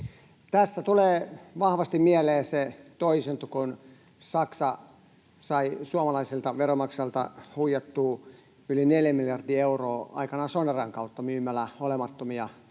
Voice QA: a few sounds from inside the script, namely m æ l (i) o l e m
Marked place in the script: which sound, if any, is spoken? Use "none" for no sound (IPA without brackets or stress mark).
æ